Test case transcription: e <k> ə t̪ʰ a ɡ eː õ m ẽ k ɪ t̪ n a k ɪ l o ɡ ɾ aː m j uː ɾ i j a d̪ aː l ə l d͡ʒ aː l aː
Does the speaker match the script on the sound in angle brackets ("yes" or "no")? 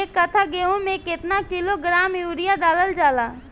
yes